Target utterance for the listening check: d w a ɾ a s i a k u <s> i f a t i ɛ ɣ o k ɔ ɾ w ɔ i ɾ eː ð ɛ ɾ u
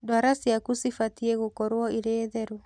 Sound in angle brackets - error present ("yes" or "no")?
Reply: no